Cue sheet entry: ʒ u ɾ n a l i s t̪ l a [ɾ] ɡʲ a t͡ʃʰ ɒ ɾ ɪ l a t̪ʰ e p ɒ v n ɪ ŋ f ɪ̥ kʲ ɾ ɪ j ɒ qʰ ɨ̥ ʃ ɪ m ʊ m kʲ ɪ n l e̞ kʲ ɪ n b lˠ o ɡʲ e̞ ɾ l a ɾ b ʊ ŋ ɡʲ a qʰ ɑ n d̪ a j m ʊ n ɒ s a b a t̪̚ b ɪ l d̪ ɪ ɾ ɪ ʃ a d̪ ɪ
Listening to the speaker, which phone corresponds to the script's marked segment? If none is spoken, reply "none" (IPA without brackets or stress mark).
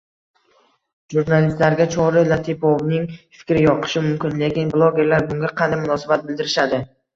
ɾ